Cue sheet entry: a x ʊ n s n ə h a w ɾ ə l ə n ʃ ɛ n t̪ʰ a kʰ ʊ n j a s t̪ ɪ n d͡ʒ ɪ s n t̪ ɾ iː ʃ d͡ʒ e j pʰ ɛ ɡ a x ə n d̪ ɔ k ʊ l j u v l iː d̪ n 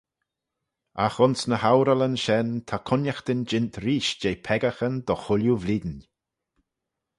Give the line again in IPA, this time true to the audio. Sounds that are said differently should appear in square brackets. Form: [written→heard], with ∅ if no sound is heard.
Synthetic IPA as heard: a x ʊ n s n ə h a w ɾ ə l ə n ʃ ɛ n t̪ʰ a kʰ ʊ n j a [s→x] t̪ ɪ n d͡ʒ ɪ [s→∅] n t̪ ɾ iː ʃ d͡ʒ e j pʰ ɛ ɡ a x ə n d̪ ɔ [k→x] ʊ l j u v l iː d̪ n